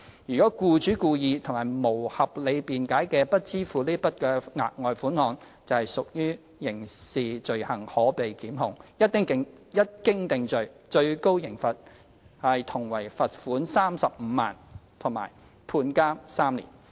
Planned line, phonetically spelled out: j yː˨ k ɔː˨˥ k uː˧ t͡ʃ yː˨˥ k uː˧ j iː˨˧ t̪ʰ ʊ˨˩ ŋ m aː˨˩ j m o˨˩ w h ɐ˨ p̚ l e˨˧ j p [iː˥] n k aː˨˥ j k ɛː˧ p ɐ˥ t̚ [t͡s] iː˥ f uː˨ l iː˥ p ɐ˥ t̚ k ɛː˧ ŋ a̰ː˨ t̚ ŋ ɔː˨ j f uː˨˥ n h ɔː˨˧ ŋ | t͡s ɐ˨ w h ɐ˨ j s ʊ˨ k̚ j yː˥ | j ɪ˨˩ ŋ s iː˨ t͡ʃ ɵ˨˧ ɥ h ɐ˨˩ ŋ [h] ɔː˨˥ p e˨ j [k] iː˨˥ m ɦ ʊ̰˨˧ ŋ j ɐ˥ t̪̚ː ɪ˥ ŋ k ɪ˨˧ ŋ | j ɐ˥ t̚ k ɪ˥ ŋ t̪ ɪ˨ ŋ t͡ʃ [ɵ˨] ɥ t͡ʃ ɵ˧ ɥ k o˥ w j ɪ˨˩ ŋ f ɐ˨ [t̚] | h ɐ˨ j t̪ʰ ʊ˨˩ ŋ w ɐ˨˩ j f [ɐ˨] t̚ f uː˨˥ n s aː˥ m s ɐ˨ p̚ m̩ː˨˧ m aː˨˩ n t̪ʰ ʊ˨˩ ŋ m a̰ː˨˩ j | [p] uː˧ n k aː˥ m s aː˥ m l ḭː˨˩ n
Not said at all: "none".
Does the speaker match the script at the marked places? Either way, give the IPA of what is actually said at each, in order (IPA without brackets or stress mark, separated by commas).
iː˨, t͡s, h, k, ɵ˨, t̚, ɐ˨, pʰ